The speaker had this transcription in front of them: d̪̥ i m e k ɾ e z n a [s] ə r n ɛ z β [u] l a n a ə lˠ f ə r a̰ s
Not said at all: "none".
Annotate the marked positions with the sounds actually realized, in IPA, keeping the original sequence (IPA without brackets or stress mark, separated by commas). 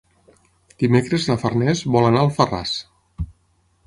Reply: f, ɔ